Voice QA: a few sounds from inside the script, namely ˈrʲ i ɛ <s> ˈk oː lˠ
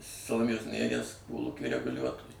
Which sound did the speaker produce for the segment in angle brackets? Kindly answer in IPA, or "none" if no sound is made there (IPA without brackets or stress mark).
s